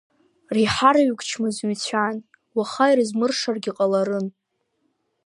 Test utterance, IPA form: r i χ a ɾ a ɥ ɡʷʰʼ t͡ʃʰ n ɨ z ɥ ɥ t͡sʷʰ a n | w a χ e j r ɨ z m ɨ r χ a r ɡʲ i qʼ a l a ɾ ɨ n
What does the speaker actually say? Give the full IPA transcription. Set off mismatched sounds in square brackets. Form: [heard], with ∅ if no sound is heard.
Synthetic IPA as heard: r i [ħ] a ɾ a ɥ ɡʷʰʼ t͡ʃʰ [m] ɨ z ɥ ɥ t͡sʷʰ a n | w a χ [a] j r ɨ z m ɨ r [ʂ] a r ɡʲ i qʼ a l a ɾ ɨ n